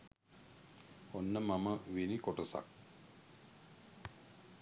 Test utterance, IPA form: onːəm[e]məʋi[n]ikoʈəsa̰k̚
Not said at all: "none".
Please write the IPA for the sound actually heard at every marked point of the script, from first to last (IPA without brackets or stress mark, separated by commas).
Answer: a, n